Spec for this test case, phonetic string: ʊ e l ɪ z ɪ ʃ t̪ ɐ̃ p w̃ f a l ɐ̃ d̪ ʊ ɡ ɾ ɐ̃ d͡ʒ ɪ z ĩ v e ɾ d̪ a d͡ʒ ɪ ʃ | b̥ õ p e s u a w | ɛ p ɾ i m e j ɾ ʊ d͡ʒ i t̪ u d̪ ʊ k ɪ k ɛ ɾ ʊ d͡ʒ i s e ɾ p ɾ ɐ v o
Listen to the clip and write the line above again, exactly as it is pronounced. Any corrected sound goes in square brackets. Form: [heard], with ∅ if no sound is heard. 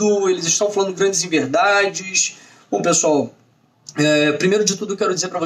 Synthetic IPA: ʊ e l ɪ z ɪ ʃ t̪ ɐ̃ [∅] w̃ f a l ɐ̃ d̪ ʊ ɡ ɾ ɐ̃ d͡ʒ ɪ z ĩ v e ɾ d̪ a d͡ʒ ɪ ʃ | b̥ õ p e s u a w | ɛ p ɾ i m e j ɾ ʊ d͡ʒ [ɪ] t̪ u d̪ ʊ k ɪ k ɛ ɾ ʊ d͡ʒ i [z] e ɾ p ɾ ɐ v o